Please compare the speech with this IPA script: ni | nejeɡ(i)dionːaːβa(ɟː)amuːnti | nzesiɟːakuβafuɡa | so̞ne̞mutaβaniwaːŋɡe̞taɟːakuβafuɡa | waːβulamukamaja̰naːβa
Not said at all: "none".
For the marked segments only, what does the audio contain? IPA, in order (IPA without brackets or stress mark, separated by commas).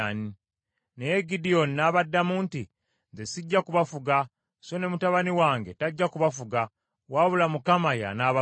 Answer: i, dː